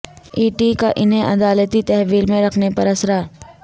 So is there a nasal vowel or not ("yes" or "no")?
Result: yes